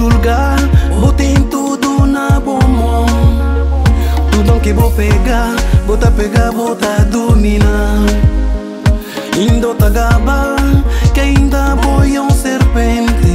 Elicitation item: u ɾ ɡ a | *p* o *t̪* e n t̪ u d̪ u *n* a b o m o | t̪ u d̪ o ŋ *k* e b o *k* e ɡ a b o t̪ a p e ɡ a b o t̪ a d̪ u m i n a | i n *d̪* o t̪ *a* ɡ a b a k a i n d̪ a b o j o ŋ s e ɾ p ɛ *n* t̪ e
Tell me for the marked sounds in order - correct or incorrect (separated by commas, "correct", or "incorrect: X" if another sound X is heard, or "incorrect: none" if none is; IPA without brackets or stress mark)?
incorrect: b, correct, correct, correct, incorrect: p, correct, correct, correct